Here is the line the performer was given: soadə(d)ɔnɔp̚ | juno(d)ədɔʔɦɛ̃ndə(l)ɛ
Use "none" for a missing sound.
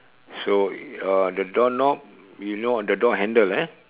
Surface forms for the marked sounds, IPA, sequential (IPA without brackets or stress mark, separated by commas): d, d, l